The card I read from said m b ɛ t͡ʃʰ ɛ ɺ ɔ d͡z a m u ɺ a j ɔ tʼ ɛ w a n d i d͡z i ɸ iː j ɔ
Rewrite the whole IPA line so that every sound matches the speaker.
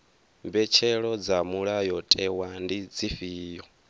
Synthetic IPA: m b ɛ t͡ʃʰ ɛ ɺ ɔ d͡z a m u ɺ a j ɔ tʼ ɛ w a n d i d͡z i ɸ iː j ɔ